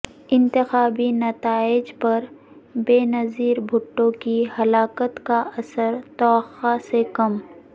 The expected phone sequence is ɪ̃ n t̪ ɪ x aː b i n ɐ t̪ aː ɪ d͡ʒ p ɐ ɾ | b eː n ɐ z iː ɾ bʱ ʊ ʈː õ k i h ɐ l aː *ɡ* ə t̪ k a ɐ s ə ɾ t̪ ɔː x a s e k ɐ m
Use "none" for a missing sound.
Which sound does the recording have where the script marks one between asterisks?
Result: k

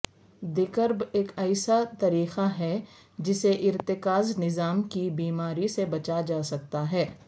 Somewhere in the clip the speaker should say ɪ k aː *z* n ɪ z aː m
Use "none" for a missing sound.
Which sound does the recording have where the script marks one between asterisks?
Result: z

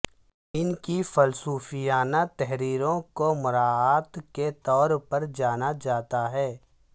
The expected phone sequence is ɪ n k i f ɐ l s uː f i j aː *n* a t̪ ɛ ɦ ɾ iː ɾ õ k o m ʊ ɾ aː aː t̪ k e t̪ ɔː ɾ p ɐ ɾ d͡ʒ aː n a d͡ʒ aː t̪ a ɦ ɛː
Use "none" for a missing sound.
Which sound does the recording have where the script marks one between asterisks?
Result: n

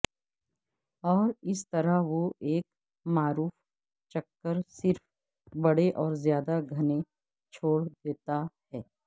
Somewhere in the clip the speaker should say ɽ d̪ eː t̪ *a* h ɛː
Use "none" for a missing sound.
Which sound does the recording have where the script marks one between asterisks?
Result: a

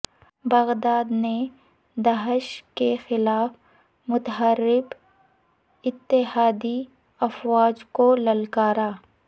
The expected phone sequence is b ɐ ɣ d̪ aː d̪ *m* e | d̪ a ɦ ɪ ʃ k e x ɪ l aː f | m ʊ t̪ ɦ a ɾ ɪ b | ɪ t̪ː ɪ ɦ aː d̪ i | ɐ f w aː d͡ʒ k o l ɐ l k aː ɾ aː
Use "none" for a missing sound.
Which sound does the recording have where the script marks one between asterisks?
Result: n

